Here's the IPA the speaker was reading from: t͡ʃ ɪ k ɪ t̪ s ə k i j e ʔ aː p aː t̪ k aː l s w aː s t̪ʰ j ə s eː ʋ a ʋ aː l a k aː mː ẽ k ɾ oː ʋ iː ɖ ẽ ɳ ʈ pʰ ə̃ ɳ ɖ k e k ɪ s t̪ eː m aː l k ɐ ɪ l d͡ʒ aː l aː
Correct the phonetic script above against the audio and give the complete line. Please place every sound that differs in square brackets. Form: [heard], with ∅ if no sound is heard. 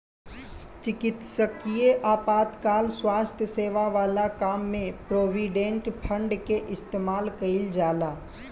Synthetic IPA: t͡ʃ ɪ k ɪ t̪ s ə k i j e ʔ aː p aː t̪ k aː l s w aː s t̪ʰ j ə s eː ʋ a ʋ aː l a k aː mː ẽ [p] ɾ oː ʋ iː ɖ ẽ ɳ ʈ pʰ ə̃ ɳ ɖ k e [ʔ] ɪ s t̪ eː m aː l k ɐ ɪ l d͡ʒ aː l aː

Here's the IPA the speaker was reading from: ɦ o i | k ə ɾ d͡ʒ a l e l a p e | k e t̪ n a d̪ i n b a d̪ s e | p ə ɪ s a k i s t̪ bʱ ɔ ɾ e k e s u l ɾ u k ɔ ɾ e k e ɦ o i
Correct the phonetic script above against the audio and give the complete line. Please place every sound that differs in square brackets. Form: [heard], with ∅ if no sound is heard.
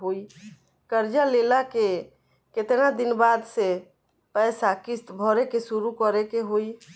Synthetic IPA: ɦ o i | k ə ɾ d͡ʒ a l e l a [k] e | k e t̪ n a d̪ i n b a d̪ s e | p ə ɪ s a k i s t̪ bʱ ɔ ɾ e k e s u [∅] ɾ u k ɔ ɾ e k e ɦ o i

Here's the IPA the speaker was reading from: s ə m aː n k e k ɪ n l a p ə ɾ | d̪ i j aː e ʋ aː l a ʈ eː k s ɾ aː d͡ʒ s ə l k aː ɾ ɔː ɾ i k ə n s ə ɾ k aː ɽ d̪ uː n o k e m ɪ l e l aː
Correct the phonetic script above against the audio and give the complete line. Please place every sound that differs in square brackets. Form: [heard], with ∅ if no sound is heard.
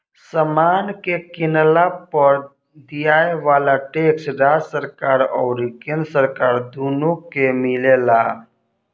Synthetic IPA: s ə m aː n k e k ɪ n l a p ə ɾ | d̪ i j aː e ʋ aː l a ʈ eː k s ɾ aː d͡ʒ s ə [ɾ] k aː ɾ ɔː ɾ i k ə n s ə ɾ k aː [ɾ] d̪ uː n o k e m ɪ l e l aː

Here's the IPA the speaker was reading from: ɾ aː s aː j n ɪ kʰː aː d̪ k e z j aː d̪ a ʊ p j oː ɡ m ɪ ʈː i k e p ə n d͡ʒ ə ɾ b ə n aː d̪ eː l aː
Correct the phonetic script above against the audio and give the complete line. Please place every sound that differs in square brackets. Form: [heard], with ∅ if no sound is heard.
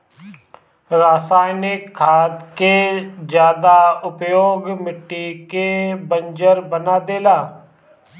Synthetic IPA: ɾ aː s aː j n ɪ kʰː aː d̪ k e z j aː d̪ a ʊ p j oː ɡ m ɪ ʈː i k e [b] ə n d͡ʒ ə ɾ b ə n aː d̪ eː l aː

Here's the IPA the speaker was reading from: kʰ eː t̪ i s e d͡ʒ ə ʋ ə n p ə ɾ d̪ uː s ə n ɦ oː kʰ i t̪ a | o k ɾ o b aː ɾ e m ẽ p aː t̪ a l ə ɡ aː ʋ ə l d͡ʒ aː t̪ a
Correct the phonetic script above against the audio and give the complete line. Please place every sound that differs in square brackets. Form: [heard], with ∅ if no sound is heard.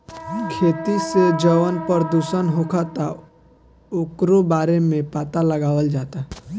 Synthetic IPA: kʰ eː t̪ i s e d͡ʒ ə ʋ ə n p ə ɾ d̪ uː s ə n ɦ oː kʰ [a] t̪ a | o k ɾ o b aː ɾ e m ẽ p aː t̪ a l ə ɡ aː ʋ ə l d͡ʒ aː t̪ a

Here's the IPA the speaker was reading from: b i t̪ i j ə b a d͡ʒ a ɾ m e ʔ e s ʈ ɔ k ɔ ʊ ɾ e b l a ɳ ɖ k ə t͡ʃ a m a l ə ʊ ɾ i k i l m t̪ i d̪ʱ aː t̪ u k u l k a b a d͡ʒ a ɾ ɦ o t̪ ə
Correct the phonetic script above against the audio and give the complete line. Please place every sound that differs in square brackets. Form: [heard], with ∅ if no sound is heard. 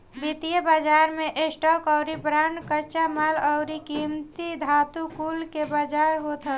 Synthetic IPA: b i t̪ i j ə b a d͡ʒ a ɾ m e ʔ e s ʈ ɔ k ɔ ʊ ɾ [i] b [ɾ] a ɳ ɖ k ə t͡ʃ a m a l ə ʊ ɾ i k i [∅] m t̪ i d̪ʱ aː t̪ u k u l k [e] b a d͡ʒ a ɾ ɦ o t̪ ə

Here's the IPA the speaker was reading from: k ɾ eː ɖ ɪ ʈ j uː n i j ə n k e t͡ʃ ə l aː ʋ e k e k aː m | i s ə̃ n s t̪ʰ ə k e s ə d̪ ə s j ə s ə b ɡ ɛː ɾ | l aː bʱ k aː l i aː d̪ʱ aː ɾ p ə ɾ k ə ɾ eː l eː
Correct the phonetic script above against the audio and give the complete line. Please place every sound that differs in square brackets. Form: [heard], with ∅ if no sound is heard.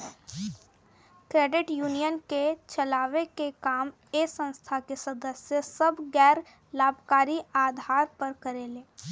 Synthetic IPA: k ɾ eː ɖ ɪ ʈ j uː n i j ə n k e t͡ʃ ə l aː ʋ e k e k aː m | [e] s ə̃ n s t̪ʰ [a] k e s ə d̪ ə s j ə s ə b ɡ ɛː ɾ | l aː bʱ k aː [ɾ] i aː d̪ʱ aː ɾ p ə ɾ k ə ɾ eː l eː

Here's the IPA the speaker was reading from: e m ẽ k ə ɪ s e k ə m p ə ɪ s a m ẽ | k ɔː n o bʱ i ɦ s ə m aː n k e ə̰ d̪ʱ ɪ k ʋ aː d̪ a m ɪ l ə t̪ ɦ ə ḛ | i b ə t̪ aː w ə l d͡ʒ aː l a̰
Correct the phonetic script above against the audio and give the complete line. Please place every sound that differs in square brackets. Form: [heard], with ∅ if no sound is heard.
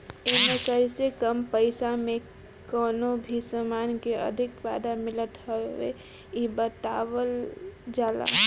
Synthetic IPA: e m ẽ k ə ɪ s e k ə m p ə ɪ s a m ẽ | k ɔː n o bʱ i [∅] s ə m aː n k e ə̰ d̪ʱ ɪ k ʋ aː d̪ a m ɪ l ə t̪ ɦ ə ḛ | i b ə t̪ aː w ə l d͡ʒ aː l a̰

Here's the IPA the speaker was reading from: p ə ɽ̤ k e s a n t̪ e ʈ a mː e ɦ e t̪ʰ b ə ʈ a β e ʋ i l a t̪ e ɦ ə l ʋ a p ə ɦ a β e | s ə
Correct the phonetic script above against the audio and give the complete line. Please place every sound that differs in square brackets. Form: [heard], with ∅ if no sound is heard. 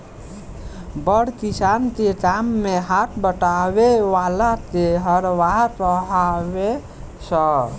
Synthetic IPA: [b] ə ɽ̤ k [i] s a n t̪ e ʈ a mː e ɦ [a] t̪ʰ b ə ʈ a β e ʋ [a] l a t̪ e ɦ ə [ɾ] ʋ a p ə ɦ a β e | s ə

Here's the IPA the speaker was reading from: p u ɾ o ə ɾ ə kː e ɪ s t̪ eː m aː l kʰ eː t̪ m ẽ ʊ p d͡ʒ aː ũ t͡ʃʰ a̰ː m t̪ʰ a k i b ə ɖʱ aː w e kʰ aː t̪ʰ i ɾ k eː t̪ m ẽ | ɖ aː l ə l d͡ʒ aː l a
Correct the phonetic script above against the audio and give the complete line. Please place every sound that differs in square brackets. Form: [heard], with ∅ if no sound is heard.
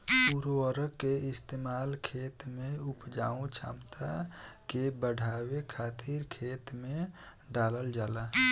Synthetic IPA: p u ɾ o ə ɾ ə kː e ɪ s t̪ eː m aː l kʰ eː t̪ m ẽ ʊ p d͡ʒ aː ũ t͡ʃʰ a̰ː m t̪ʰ a k [e] b ə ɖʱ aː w e kʰ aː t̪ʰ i ɾ [kʰ] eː t̪ m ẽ | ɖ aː l ə l d͡ʒ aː l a

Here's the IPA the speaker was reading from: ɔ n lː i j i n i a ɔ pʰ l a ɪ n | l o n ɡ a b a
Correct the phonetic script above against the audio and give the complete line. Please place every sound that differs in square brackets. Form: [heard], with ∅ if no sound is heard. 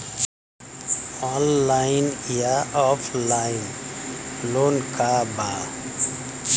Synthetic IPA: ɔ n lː [a] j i n [j] a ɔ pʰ l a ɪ n | l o n [k] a b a

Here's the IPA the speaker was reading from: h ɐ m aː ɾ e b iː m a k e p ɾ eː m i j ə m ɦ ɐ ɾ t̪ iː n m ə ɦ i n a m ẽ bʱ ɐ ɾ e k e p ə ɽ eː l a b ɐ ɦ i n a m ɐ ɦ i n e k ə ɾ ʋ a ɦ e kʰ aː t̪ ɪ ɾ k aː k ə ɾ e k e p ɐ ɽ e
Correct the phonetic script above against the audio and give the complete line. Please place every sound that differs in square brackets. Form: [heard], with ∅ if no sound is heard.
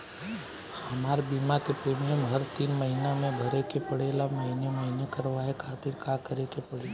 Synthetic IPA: h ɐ m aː ɾ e b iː m a k e p ɾ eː m i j ə m ɦ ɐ ɾ t̪ iː n m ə ɦ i n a m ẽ bʱ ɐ ɾ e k e p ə ɽ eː l a [m] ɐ ɦ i n [e] m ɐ ɦ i n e k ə ɾ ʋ a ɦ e kʰ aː t̪ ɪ ɾ k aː k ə ɾ e k e p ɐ ɽ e

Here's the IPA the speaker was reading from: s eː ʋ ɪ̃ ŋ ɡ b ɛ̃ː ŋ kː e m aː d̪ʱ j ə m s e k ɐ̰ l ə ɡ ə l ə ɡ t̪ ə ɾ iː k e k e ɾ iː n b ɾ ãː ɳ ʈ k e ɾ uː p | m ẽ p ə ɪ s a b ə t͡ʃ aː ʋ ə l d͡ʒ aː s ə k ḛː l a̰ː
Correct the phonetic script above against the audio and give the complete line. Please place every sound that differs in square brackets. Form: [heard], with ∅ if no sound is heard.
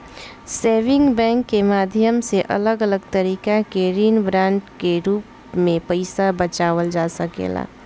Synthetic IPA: s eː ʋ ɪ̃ ŋ ɡ b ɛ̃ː ŋ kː e m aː d̪ʱ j ə m s e [ʔ] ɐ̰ l ə ɡ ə l ə ɡ t̪ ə ɾ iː k [a] k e ɾ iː n b ɾ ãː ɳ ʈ k e ɾ uː p | m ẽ p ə ɪ s a b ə t͡ʃ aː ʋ ə l d͡ʒ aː s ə k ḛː l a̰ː

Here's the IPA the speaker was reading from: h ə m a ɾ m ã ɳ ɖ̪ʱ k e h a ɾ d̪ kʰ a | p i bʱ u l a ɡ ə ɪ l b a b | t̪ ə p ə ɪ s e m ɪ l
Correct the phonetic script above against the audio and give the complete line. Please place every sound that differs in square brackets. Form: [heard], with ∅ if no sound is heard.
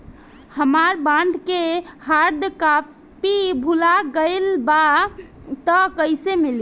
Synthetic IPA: h ə m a ɾ [b] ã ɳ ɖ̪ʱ k e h a ɾ d̪ [k] a | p i bʱ u l a ɡ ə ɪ l b a [∅] | t̪ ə [k] ə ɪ s e m [i] l

